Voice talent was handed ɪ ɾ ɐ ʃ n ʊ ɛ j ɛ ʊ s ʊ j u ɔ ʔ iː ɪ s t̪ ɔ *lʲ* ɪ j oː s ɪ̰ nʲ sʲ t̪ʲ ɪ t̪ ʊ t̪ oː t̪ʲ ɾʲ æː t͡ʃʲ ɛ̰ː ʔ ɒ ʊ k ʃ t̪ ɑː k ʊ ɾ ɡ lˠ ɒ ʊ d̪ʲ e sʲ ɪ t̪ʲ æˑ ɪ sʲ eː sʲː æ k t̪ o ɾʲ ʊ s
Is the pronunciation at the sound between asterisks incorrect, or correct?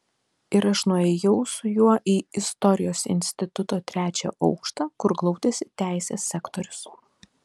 incorrect